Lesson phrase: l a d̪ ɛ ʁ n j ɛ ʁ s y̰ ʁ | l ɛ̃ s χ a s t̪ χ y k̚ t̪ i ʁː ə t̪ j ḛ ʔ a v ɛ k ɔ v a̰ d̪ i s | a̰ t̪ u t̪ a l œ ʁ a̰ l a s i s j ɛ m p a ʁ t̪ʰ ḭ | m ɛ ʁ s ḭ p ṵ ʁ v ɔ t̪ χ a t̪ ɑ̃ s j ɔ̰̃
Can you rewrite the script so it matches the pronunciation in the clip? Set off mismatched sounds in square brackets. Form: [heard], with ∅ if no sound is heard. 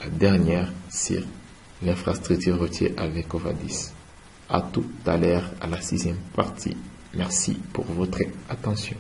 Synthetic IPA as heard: l a d̪ ɛ ʁ n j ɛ ʁ s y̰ ʁ | l ɛ̃ [f] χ a s t̪ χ y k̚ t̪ [y] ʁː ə t̪ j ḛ ʔ a v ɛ k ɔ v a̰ d̪ i s | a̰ t̪ u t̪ a l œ ʁ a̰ l a s i [z] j ɛ m p a ʁ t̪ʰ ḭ | m ɛ ʁ s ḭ p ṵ ʁ v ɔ t̪ χ a t̪ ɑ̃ s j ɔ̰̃

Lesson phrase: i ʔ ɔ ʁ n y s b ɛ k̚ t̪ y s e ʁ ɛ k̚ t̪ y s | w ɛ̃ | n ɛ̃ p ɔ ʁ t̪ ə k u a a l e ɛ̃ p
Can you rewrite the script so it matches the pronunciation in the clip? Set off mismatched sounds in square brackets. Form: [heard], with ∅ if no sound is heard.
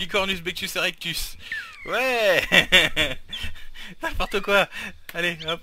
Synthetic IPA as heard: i [k] ɔ ʁ n y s b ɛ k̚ t̪ y s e ʁ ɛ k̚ t̪ y s | w [ɛ] | n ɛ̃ p ɔ ʁ t̪ ə k [w] a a l e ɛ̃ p

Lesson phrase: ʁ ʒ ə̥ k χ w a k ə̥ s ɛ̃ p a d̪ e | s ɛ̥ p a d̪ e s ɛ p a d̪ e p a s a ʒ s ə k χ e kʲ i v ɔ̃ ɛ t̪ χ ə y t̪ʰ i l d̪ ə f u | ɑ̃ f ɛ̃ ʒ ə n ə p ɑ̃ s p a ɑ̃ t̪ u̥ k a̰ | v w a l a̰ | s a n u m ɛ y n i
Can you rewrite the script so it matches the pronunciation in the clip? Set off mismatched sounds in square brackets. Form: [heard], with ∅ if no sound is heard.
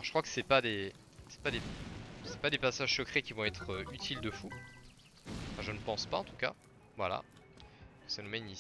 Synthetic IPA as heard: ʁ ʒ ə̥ k χ w a k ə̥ s [ɛ] p a d̪ e | s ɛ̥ p a d̪ e s ɛ p a d̪ e p a s a ʒ s ə k χ e kʲ i v ɔ̃ ɛ t̪ χ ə y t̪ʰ i l d̪ ə f u | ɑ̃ f ɛ̃ ʒ ə n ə p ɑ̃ s p a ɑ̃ t̪ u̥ k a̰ | v w a l a̰ | s a n u m ɛ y n i

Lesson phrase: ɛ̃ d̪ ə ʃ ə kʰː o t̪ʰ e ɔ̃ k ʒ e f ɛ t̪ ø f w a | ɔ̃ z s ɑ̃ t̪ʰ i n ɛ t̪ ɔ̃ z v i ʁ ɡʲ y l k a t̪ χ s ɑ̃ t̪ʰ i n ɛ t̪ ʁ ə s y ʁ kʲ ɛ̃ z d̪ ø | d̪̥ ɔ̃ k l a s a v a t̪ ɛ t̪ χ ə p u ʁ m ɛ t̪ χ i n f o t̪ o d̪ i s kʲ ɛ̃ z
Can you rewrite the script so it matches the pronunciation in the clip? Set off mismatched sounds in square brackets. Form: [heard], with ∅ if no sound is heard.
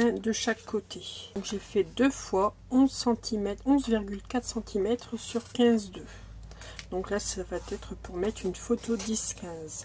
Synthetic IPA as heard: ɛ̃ d̪ ə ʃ [a] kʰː o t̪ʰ e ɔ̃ k ʒ e f ɛ [d̪] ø f w a | ɔ̃ z s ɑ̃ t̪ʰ i [m] ɛ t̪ ɔ̃ z v i ʁ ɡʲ y l k a t̪ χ s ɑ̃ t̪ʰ i [m] ɛ t̪ [χ] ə s y ʁ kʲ ɛ̃ z d̪ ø | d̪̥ ɔ̃ k l a s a v a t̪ ɛ t̪ χ ə p u ʁ m ɛ t̪ χ [y] n f o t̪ o d̪ i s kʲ ɛ̃ z

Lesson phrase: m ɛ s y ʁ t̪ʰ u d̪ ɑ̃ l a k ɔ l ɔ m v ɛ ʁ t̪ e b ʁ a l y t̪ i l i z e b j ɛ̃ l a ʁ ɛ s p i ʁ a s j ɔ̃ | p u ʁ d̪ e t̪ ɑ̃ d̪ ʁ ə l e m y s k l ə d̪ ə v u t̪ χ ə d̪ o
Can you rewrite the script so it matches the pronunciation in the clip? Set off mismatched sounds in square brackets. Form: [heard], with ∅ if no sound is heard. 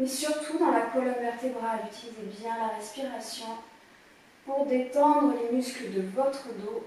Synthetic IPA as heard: m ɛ s y ʁ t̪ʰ u d̪ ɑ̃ l a k ɔ l ɔ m v ɛ ʁ t̪ e b ʁ a l y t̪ i l i z e b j ɛ̃ l a ʁ ɛ s p i ʁ a s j ɔ̃ | p u ʁ d̪ e t̪ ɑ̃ d̪ ʁ ə l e m y s k l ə d̪ ə v [ɔ] t̪ χ ə d̪ o

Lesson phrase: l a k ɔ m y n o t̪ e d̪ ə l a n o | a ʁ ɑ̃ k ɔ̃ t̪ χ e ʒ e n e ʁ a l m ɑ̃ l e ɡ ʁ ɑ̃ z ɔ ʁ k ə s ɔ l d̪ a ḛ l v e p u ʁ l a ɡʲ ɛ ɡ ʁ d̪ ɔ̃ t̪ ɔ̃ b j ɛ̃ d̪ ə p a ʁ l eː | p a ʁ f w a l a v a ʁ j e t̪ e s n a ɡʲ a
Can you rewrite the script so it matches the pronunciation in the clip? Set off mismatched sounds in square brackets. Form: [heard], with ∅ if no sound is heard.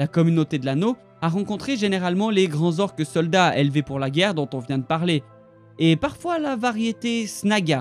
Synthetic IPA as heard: l a k ɔ m y n o t̪ e d̪ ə l a n o | a ʁ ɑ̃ k ɔ̃ t̪ χ e ʒ e n e ʁ a l m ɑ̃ l e ɡ ʁ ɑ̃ z ɔ ʁ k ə s ɔ l d̪ a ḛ l v e p u ʁ l a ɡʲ ɛ [∅] ʁ d̪ ɔ̃ t̪ ɔ̃ [v] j ɛ̃ d̪ ə p a ʁ l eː | p a ʁ f w a l a v a ʁ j e t̪ e s n a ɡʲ a

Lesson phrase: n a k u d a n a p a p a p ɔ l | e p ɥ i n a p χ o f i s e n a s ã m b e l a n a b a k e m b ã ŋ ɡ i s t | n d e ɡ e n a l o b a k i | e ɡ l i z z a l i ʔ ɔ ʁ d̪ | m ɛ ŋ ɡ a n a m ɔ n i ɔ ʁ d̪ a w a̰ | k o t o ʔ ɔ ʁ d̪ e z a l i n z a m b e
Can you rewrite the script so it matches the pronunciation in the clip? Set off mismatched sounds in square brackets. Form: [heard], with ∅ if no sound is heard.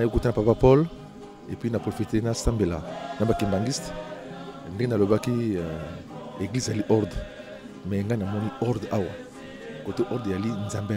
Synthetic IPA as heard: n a k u [t] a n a p a p a p ɔ l | e p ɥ i n a p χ o f i [t] e n a s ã m b e l a n a b a k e m b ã ŋ ɡ i s t | n d e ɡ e n a l o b a k i | e ɡ l i z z a l i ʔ ɔ ʁ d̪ | m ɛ ŋ ɡ a n a m ɔ n i ɔ ʁ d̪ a w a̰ | k o t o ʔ ɔ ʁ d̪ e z a l i n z a m b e

